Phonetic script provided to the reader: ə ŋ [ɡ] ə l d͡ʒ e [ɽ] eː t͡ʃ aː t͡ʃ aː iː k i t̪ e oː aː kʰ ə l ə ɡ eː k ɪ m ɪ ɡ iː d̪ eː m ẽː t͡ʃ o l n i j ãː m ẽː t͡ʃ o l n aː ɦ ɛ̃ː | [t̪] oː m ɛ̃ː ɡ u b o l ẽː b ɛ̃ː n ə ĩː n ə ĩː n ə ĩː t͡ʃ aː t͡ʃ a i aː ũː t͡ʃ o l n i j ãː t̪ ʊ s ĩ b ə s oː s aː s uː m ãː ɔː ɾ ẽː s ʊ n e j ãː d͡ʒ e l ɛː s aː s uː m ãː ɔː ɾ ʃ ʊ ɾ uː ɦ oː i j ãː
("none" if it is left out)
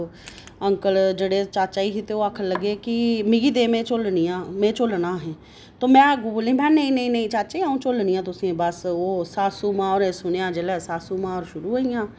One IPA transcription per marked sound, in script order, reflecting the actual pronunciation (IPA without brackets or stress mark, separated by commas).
k, ɽ, t̪